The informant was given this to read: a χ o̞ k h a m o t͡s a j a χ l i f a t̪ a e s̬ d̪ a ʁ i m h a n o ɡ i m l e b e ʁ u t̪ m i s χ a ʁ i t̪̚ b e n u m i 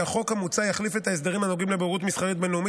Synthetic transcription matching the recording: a χ o̞ k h a m u t͡s a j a χ l i f e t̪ a e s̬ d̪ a ʁ i m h a n o ɡ i m l e b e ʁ u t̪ m i s χ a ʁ i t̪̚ b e n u m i